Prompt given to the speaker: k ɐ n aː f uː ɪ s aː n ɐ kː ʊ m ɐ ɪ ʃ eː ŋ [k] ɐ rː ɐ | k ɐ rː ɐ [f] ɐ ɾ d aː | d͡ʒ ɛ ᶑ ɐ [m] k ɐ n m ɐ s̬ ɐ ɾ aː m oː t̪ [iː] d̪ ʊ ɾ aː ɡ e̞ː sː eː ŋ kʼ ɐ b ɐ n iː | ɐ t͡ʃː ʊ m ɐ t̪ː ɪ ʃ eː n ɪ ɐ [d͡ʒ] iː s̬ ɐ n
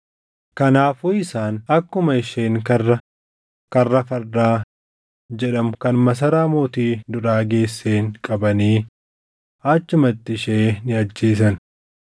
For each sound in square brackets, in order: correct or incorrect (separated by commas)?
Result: correct, correct, correct, correct, incorrect